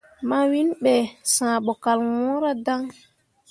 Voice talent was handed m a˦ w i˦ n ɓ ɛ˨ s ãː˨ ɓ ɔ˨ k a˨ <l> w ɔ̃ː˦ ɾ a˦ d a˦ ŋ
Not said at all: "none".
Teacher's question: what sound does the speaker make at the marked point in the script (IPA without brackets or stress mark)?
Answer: l